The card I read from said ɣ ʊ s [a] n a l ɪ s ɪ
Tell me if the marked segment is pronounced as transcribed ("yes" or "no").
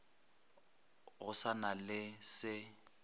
yes